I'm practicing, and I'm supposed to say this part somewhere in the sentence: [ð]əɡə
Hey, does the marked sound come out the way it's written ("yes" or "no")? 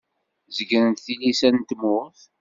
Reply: no